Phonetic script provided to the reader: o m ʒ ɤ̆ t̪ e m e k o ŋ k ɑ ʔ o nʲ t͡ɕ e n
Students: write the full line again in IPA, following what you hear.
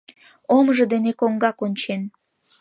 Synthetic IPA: o m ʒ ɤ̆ d̪ e n e k o ŋ ɡ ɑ k o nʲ t͡ɕ e n